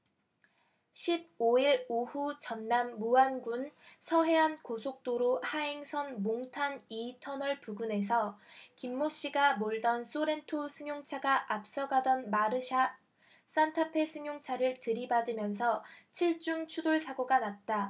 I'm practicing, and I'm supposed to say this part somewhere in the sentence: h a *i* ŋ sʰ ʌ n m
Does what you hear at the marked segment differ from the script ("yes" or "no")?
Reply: yes